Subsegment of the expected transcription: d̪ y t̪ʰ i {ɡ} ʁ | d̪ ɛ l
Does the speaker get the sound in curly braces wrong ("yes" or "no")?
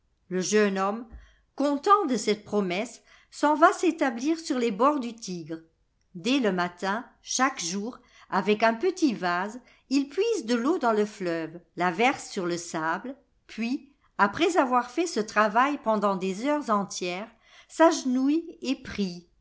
no